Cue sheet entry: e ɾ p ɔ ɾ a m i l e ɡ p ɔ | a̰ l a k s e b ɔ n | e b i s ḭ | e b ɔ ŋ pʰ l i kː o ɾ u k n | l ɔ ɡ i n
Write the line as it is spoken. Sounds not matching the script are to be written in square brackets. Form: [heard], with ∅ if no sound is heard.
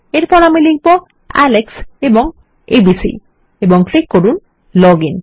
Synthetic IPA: e ɾ p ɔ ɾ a m i l [i] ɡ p ɔ | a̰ l [e] k s e b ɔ [ŋ] | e b i s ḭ | e b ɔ ŋ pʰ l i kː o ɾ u [∅] n | l ɔ ɡ i n

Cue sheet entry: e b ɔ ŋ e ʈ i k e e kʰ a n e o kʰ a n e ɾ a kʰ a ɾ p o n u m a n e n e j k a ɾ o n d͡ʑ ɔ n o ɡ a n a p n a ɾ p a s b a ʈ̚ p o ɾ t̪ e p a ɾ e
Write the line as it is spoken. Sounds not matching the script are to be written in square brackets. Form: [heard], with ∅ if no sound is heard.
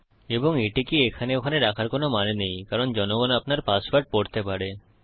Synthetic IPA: e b [o] ŋ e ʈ i k [i] e kʰ a n e o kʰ a n e ɾ a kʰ a ɾ [k] o n [o] m a n e n e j k a ɾ o n d͡ʑ ɔ n o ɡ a n a p n a ɾ p a s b a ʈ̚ p o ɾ t̪ e p a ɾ e

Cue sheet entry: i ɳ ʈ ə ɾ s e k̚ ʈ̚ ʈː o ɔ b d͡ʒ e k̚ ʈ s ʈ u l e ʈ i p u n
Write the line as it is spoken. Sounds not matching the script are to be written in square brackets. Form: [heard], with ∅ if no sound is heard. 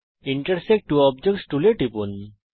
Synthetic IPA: i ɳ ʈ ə ɾ s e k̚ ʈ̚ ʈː [u] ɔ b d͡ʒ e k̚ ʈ s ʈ u l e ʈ i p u n

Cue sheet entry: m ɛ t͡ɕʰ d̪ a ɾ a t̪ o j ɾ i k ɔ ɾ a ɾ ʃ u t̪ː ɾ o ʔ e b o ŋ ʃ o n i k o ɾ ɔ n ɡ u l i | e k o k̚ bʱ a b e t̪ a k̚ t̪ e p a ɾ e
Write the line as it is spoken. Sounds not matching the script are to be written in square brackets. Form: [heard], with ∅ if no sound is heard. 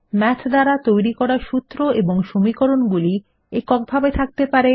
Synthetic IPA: m ɛ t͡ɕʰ d̪ a ɾ a t̪ o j ɾ i k ɔ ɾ a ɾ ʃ u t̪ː ɾ o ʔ e b o ŋ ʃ o [m] i k o ɾ [o] n ɡ u l i | e k [ɔ] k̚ bʱ a b e [t̪ʰ] a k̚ t̪ e p a ɾ e

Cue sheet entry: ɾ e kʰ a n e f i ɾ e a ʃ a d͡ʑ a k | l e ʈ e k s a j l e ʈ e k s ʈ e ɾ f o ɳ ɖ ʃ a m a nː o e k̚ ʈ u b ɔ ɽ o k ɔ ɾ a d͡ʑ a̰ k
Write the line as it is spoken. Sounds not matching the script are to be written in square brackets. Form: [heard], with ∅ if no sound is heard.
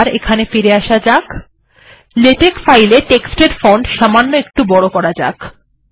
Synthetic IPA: ɾ e kʰ a n e f i ɾ e a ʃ a d͡ʑ a k | l e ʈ e k [f] a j l e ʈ e k s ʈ e ɾ f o ɳ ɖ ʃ a m a nː o e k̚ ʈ u b ɔ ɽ o k ɔ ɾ a d͡ʑ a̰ k

